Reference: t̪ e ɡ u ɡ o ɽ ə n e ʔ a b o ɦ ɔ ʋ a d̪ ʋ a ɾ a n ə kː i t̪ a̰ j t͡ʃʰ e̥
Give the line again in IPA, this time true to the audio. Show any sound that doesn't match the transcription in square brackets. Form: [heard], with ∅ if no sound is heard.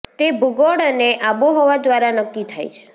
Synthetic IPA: t̪ e [b] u ɡ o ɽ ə n e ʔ a b o ɦ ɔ ʋ a d̪ ʋ a ɾ a n ə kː i [t̪ʰ] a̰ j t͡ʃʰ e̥